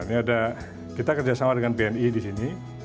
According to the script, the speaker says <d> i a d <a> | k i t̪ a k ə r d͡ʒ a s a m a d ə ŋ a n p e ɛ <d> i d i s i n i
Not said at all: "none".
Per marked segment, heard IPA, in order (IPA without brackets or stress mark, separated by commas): n, a, n